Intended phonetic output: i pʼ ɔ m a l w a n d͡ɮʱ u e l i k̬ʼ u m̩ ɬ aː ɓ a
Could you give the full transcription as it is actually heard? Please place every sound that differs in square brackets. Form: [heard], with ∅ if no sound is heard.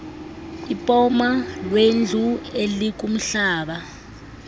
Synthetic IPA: i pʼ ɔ m a l w [e] n d͡ɮʱ u e l i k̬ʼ u m̩ ɬ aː ɓ a